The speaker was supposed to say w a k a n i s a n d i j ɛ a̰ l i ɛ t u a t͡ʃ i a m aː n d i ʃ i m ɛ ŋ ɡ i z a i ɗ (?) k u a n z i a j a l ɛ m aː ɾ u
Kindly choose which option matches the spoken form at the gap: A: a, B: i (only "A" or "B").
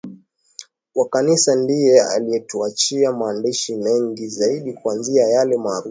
B